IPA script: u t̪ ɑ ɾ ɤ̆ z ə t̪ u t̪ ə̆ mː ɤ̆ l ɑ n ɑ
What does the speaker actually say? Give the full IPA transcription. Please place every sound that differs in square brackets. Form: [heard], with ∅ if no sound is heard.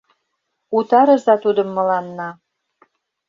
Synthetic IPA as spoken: u t̪ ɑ ɾ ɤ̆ z [ɑ] t̪ u [d̪] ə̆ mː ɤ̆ l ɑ [nː] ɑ